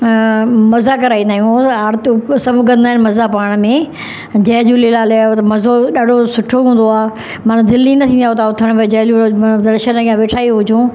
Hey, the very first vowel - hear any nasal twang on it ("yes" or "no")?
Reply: no